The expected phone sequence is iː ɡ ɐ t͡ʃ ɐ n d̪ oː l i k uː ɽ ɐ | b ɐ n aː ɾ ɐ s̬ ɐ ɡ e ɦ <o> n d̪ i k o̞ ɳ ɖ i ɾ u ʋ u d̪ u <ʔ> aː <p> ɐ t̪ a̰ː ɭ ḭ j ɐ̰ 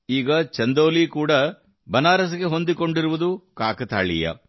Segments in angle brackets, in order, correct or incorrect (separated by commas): correct, incorrect, incorrect